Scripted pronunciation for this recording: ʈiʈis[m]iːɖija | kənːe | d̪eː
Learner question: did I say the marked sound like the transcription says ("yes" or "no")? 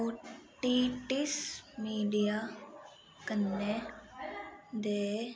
yes